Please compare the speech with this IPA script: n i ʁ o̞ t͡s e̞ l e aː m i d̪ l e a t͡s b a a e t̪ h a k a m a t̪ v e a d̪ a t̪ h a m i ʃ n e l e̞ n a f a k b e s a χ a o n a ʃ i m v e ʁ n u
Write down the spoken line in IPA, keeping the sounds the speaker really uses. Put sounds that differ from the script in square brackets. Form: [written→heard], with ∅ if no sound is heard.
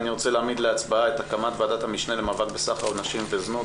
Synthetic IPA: n i ʁ o̞ t͡s e̞ l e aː m i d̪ l e a t͡s b a a e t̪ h a k a m a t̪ v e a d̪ a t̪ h a m i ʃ n e l e̞ [n→m] a [f→v] a k b e s a χ a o n a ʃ i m v e [ʁ→z] n u